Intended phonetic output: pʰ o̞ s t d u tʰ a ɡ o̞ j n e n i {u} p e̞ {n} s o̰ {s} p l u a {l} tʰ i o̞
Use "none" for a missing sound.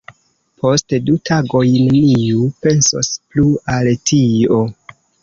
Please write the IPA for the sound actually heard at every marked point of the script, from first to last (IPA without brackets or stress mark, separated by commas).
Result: u, n, s, l